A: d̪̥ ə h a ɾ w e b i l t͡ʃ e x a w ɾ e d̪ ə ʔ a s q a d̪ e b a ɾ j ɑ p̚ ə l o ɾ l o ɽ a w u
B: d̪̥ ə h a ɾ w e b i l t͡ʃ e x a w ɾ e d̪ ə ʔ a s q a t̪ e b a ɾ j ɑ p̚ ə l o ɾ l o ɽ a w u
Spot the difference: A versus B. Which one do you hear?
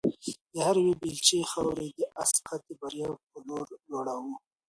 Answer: B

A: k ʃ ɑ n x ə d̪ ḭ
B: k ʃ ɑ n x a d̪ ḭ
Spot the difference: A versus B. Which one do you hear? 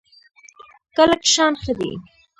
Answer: A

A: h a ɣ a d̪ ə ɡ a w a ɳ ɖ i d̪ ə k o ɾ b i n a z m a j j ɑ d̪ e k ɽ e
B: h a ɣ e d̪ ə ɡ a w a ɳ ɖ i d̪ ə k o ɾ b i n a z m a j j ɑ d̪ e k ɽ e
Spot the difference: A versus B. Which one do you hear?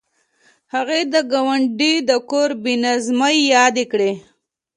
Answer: B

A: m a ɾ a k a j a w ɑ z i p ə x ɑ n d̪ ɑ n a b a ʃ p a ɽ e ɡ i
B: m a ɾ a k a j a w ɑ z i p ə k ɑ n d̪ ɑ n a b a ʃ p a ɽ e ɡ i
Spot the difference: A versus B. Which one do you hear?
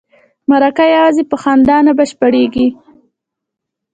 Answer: A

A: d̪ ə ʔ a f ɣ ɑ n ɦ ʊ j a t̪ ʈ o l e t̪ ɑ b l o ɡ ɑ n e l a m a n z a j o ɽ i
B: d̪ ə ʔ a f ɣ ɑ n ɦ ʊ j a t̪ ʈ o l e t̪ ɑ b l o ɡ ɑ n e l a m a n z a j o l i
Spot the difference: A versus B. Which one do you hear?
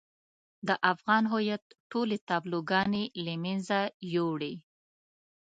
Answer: A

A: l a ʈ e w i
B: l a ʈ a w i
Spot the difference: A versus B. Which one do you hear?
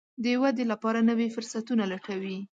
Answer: B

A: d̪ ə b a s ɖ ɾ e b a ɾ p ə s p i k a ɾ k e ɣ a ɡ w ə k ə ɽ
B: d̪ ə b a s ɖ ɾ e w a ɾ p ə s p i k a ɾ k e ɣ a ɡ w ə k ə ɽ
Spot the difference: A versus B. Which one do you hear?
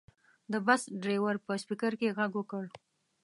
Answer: B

